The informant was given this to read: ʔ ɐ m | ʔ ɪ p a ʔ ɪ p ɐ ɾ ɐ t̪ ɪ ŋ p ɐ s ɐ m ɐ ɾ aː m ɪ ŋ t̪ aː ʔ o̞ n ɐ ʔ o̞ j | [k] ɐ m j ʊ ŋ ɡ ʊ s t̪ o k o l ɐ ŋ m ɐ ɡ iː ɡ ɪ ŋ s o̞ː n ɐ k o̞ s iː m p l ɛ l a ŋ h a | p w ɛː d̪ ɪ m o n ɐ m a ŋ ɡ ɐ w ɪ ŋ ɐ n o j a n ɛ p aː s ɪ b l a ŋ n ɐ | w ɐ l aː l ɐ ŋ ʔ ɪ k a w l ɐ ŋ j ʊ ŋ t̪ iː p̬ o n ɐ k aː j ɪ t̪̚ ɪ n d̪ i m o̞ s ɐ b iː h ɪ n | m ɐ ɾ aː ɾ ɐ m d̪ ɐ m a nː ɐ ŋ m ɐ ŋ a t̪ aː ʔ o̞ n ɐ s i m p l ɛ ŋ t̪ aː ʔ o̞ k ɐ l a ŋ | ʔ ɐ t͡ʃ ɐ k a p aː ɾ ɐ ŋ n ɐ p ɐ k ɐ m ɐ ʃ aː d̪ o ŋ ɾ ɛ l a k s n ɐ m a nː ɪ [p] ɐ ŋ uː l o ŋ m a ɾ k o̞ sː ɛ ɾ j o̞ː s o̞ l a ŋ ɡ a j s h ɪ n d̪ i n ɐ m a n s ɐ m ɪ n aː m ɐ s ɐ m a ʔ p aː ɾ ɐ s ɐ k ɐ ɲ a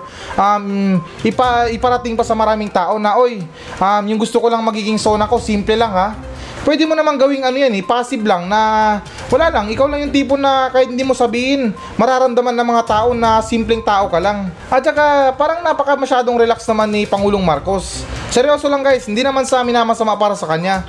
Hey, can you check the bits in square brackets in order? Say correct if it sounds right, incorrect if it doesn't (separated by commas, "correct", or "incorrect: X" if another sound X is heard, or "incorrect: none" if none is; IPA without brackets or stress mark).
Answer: incorrect: ʔ, correct